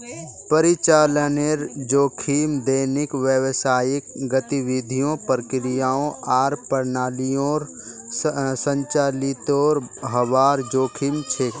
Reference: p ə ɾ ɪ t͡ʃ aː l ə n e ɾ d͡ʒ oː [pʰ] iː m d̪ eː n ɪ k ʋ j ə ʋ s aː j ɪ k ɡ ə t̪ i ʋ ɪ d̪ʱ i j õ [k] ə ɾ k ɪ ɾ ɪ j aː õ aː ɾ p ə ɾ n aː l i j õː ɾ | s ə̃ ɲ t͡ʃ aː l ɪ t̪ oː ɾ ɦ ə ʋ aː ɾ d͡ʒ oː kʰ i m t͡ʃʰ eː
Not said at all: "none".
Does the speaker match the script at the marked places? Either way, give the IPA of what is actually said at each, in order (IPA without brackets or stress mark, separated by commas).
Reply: kʰ, p